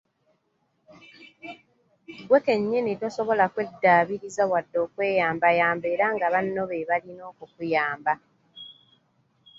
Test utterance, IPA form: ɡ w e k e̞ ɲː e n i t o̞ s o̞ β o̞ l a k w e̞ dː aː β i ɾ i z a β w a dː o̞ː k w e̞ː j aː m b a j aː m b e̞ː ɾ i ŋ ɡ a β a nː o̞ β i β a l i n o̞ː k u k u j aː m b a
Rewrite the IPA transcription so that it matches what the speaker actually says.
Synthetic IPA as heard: ɡ w e k e̞ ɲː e n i t o̞ s o̞ β o̞ l a k w e̞ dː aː β i ɾ i z a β w a dː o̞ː k w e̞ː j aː m b a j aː m b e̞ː ɾ a ŋ ɡ a β a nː o̞ β e β a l i n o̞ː k u k u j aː m b a